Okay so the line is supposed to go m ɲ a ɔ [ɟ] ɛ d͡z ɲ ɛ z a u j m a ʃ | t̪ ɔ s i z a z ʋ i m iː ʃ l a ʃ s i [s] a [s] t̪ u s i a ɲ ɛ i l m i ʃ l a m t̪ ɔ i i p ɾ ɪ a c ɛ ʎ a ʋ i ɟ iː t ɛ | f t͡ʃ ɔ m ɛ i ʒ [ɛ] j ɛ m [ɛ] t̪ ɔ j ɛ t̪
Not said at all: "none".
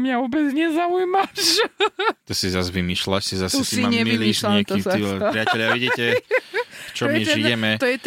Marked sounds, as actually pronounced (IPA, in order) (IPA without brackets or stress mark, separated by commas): b, z, s, i, ɛ